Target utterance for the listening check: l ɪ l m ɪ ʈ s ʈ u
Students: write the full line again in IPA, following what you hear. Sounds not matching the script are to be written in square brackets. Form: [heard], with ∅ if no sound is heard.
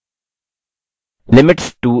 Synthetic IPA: l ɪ [∅] m ɪ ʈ s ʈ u